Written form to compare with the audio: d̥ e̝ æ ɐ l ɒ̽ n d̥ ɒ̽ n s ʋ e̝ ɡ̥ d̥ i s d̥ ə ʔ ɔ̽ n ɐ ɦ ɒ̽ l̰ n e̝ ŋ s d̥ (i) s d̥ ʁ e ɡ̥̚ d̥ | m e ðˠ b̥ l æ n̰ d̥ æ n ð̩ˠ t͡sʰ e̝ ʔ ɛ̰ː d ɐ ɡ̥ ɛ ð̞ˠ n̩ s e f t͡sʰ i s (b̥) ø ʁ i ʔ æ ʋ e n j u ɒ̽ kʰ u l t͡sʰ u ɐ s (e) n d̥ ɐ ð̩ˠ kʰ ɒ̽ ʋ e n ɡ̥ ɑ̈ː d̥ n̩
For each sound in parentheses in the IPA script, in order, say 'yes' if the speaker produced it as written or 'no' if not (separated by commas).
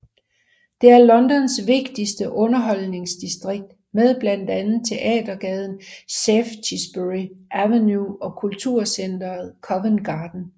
yes, yes, yes